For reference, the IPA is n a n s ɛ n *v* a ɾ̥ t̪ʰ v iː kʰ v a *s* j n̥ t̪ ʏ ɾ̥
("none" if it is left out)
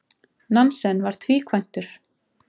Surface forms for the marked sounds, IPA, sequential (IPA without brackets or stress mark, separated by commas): v, none